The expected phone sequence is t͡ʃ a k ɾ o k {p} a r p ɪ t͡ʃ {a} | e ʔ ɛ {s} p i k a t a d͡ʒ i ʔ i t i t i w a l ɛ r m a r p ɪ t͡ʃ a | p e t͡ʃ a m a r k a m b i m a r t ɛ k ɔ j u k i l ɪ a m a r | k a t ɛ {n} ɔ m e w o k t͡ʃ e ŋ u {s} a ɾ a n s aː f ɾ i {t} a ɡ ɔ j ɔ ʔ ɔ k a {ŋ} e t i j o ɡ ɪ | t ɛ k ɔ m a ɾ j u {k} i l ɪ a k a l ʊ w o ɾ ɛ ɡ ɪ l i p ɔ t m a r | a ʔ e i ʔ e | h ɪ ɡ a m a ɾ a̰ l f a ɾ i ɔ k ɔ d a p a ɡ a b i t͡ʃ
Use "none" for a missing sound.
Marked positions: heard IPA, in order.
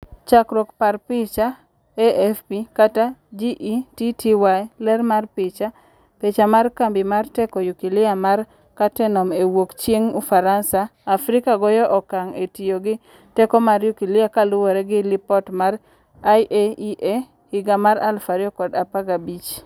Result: p, a, f, n, f, k, ŋ, k

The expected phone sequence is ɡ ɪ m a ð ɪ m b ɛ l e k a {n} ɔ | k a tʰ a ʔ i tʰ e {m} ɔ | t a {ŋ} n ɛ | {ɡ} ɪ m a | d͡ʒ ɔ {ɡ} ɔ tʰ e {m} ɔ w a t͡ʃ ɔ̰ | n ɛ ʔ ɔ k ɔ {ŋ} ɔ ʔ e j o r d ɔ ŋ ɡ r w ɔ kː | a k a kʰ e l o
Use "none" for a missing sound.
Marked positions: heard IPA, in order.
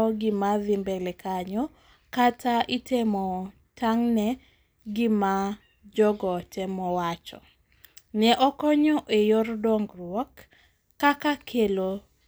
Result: ɲ, m, ŋ, ɡ, ɡ, m, ɲ

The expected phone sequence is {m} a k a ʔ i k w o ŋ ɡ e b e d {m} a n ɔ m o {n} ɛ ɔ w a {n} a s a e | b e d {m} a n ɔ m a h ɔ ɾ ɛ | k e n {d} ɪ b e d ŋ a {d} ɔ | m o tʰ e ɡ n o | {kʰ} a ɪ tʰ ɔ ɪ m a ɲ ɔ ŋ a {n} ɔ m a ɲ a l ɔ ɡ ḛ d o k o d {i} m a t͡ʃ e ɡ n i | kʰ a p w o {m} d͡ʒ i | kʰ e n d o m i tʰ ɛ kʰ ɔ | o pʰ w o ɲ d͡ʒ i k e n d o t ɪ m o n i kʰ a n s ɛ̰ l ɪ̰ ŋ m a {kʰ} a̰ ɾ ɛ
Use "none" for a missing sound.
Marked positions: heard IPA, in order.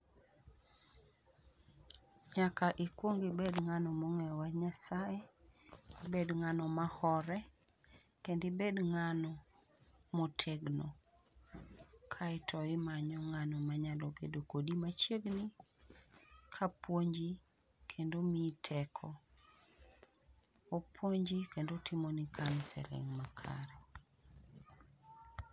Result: ɲ, ŋ, ŋ, ɲ, ŋ, d, n, kʰ, n, i, ɲ, kʰ

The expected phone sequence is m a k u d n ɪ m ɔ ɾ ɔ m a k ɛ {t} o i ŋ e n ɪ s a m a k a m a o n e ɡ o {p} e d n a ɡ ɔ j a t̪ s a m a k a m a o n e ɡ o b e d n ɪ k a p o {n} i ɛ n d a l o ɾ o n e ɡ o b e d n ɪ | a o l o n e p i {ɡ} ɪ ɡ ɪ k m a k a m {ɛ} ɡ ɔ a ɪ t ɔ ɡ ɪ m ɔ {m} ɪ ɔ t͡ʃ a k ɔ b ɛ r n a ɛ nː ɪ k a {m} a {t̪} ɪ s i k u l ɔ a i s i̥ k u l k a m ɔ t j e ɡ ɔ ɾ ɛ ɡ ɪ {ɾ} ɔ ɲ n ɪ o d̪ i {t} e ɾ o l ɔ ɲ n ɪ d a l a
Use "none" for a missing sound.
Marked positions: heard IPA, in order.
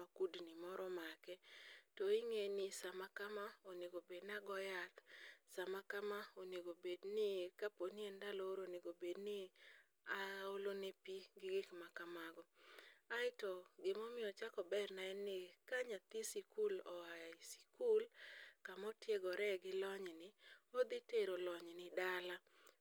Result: t, b, n, ɡ, a, m, ɲ, t̪, l, t

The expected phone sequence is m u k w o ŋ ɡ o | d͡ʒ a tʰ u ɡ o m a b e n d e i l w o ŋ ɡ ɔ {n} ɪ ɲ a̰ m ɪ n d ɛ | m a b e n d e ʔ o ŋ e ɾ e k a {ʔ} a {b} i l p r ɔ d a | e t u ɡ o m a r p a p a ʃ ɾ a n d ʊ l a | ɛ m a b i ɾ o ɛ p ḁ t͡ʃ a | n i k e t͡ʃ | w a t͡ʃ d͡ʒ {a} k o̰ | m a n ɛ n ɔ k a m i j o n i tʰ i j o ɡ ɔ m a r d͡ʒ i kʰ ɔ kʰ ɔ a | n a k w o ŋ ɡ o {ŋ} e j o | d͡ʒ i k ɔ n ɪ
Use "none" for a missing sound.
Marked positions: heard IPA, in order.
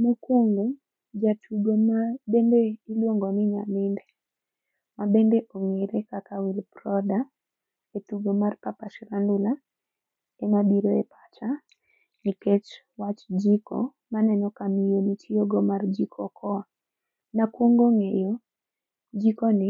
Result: n, k, w, i, ŋ

